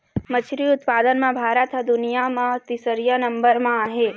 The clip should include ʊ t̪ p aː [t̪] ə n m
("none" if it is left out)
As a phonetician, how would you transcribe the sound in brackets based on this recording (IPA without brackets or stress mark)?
d̪